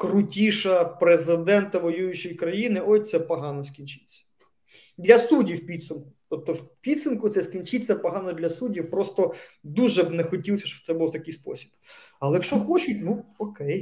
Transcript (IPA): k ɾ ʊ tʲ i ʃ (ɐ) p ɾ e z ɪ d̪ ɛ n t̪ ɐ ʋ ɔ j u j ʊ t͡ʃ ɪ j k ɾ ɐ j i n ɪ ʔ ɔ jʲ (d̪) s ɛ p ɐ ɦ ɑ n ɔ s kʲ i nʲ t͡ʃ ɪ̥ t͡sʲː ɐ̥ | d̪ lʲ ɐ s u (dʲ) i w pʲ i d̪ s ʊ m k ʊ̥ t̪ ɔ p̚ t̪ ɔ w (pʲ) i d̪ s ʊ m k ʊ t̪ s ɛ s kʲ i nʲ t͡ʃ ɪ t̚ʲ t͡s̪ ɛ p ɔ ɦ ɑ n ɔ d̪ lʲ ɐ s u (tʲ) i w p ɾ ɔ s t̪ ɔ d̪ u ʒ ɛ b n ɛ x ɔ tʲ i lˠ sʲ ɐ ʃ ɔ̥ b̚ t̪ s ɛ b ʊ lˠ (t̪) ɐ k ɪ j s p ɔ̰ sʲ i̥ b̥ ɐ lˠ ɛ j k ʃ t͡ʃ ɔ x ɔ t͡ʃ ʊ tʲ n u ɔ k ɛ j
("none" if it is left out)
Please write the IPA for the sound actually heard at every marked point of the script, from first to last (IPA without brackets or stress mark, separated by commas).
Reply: ɐ, t̪, dʲ, pʲ, dʲ, t̪